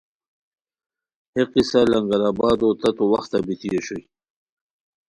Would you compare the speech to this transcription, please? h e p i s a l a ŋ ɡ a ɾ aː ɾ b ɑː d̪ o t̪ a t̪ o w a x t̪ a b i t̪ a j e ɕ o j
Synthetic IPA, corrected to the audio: h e q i s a l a ŋ ɡ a ɾ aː b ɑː d̪ o t̪ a t̪ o w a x t̪ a b i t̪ i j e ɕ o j